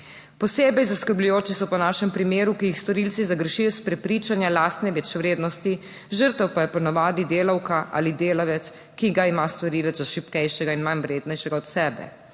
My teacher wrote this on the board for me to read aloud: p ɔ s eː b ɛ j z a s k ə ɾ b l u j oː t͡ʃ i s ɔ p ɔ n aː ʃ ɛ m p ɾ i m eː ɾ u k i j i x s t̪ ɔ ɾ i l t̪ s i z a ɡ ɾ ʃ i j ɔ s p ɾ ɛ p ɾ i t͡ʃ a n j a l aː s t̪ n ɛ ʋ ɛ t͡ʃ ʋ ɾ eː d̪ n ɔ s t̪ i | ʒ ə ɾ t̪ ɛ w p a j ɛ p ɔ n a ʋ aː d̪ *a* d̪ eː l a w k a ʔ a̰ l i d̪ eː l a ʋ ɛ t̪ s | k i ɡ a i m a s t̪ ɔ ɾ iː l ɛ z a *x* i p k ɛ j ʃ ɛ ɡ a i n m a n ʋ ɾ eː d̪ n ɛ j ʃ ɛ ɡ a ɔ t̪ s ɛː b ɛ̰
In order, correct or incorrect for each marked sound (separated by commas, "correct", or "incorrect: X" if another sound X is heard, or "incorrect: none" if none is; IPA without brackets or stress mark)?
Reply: incorrect: i, incorrect: ʃ